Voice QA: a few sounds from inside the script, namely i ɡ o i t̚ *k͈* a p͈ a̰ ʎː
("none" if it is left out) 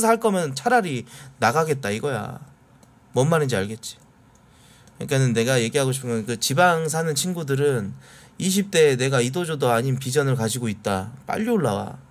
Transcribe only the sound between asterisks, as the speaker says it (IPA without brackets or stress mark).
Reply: t͈